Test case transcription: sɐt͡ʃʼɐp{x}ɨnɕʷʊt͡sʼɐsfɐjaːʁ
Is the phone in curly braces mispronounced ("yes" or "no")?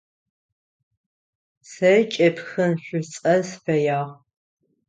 no